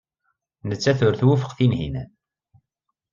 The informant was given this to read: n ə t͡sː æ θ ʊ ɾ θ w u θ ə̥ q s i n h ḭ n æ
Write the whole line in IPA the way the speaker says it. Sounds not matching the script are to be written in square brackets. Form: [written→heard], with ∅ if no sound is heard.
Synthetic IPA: n ə t͡sː æ θ ʊ ɾ θ w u [θ→f] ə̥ q [s→θ] i n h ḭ n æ